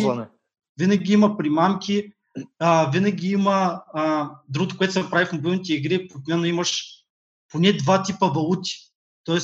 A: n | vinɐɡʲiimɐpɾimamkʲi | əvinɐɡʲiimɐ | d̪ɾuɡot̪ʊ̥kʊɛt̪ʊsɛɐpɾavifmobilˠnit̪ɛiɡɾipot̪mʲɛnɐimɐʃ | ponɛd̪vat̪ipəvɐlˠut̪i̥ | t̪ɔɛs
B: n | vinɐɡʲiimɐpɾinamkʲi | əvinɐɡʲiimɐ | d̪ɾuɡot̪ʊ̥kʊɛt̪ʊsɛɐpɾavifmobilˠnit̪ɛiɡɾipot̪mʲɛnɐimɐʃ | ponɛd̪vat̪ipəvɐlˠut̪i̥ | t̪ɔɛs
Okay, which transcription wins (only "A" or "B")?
A